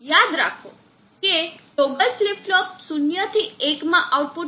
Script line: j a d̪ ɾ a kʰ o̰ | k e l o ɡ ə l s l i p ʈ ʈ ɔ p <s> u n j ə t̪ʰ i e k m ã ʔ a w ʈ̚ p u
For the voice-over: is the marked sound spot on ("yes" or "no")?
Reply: yes